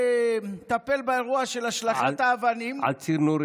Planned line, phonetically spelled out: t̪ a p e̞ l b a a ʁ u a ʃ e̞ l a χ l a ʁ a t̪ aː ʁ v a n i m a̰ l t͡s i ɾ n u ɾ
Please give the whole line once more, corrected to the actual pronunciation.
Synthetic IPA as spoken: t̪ a p e̞ l b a e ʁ u a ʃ e̞ l a ʃ l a χ a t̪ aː v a n i m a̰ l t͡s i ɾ n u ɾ